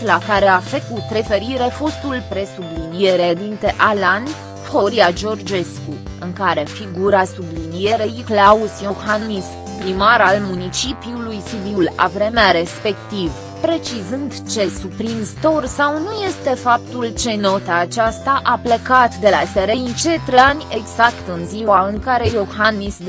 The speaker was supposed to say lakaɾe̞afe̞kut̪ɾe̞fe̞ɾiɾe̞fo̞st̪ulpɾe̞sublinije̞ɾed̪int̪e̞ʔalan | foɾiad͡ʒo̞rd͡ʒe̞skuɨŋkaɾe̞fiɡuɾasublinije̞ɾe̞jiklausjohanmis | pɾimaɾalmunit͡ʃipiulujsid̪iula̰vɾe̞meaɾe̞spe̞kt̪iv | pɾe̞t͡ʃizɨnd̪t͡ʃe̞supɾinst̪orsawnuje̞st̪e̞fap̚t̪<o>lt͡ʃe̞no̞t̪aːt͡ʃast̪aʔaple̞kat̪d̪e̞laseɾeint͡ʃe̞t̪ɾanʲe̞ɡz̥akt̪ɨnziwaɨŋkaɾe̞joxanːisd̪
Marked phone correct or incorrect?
incorrect